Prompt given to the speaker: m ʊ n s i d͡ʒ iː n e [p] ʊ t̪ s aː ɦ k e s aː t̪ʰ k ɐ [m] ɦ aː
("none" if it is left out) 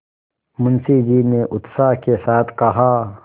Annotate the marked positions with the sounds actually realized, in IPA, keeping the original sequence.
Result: ʔ, none

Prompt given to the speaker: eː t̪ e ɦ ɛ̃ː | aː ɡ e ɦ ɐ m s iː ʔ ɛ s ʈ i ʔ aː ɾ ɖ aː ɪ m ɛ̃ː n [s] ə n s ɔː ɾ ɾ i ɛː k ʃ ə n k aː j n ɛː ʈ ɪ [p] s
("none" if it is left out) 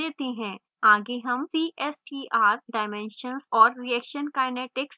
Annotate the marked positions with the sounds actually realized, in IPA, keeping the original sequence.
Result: ʃ, k

